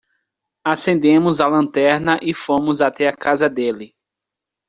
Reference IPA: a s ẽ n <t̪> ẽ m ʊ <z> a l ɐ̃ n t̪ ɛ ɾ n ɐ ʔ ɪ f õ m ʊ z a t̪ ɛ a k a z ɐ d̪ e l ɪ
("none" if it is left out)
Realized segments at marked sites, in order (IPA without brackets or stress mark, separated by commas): d̪, z